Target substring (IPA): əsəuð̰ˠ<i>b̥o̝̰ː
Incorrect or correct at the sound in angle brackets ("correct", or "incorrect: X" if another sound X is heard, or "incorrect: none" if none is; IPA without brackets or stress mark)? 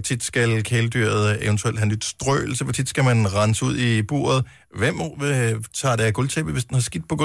correct